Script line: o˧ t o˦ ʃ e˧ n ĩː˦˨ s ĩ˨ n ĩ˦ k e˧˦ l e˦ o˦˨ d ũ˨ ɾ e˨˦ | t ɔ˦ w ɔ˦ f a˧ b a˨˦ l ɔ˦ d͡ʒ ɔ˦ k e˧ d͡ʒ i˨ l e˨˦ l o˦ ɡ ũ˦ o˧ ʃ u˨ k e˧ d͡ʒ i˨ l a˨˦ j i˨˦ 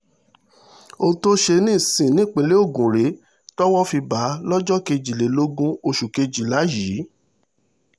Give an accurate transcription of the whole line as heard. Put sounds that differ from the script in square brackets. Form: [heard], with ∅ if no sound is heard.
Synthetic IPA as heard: o˧ t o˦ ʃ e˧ n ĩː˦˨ s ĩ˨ n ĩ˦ [k͡p] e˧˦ l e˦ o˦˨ [ɡ] ũ˨ ɾ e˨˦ | t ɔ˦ w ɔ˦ f [i˧] b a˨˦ l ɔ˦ d͡ʒ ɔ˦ k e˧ d͡ʒ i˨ l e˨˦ l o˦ ɡ ũ˦ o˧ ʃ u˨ k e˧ d͡ʒ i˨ l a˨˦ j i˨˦